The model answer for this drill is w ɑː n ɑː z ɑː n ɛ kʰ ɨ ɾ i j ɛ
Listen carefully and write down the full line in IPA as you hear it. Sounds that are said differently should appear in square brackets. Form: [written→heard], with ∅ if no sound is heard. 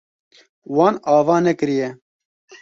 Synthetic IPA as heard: w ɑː n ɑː [z→v] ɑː n ɛ [kʰ→k] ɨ ɾ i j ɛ